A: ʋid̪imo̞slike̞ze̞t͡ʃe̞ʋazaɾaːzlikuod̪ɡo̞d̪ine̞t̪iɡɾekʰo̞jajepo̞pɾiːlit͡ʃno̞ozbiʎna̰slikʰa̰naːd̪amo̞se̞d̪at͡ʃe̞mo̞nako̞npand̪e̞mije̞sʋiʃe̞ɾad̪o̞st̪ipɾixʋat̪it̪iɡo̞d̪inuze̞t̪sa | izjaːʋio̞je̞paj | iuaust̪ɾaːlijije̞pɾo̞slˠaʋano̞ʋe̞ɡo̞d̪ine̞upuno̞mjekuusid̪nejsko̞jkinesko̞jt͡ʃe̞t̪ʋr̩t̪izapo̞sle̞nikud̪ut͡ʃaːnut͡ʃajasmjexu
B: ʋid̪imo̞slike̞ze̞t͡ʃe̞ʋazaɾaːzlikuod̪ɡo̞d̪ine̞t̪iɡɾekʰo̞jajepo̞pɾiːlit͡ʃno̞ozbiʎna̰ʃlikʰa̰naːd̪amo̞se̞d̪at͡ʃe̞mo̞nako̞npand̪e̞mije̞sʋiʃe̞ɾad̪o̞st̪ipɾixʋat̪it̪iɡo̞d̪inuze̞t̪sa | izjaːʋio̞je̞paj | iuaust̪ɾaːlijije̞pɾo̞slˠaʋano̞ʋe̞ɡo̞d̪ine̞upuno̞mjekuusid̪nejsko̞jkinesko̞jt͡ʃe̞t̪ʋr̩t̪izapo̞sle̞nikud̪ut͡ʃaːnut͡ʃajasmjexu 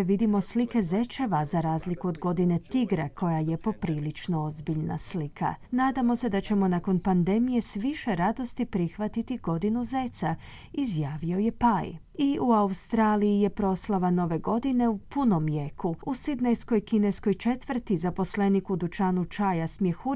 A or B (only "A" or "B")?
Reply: A